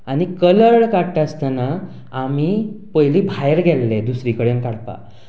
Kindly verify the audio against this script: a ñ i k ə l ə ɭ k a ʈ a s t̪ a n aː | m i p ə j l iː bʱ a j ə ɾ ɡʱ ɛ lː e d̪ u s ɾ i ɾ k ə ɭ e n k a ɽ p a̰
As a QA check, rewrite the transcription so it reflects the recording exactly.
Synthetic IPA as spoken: a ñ i k ə l ə ɭ k a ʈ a s t̪ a n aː | m i p ə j l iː bʱ a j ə ɾ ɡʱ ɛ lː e d̪ u s ɾ i k ə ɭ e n k a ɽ p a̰